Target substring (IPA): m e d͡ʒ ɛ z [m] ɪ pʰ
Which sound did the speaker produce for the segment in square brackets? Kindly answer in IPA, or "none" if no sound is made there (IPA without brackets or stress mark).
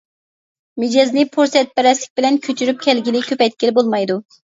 n